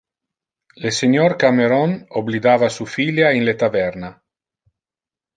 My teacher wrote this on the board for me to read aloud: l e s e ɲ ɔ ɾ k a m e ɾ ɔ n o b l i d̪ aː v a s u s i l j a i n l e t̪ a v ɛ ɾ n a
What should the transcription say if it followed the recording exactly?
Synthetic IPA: l e s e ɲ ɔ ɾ k a m e ɾ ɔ n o b l i d̪ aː v a s u f i l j a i n l e t̪ a v ɛ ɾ n a

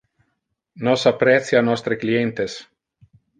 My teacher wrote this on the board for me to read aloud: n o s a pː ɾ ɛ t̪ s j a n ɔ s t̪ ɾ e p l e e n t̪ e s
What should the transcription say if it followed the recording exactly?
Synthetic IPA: n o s a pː ɾ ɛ t̪ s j a n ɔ s t̪ ɾ e k l i e n t̪ e s

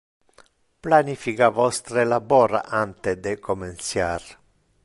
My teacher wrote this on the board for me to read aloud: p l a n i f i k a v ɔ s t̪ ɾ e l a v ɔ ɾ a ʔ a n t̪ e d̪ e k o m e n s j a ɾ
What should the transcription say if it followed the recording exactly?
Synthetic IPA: p l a n i f i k a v ɔ s t̪ ɾ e l a b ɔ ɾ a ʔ a n t̪ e d̪ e k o m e n s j a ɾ

